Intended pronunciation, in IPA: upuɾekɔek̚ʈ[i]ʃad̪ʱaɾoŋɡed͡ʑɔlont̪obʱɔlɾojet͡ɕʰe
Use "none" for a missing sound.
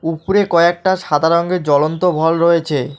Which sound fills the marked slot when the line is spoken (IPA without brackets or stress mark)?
a